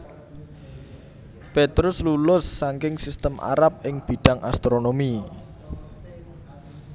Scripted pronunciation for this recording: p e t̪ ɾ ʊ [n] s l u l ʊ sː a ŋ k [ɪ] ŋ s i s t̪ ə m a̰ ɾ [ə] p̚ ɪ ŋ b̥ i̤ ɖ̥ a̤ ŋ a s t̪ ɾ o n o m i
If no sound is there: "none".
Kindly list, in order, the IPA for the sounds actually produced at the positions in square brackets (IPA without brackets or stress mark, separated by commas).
none, ɪ, a